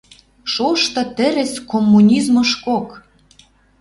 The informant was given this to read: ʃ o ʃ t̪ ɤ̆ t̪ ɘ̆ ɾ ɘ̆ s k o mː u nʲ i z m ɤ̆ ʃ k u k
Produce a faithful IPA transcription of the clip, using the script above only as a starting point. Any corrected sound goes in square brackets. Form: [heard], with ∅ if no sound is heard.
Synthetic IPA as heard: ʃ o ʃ t̪ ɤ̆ t̪ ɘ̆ ɾ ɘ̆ s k o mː u nʲ i z m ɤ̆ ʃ k [o] k